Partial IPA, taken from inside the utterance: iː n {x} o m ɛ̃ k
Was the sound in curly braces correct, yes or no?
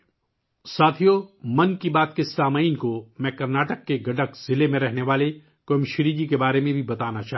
no